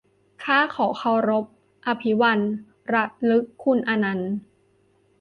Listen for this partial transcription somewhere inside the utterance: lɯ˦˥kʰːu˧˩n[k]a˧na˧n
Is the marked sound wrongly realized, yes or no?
yes